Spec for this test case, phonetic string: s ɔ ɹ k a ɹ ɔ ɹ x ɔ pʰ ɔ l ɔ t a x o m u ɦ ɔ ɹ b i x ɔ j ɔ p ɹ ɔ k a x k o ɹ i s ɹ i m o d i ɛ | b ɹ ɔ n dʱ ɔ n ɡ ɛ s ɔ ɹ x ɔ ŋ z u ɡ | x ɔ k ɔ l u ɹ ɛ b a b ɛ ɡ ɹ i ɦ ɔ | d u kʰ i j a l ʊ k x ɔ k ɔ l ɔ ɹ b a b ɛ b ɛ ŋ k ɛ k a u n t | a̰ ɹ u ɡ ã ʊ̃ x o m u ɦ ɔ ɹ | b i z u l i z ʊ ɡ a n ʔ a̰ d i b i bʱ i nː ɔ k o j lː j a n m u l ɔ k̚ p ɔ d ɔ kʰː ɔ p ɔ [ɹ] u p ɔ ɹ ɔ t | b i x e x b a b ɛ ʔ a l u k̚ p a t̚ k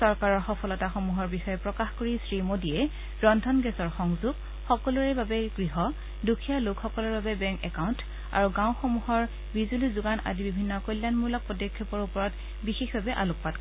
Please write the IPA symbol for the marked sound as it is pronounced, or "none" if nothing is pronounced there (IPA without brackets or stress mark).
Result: ɹ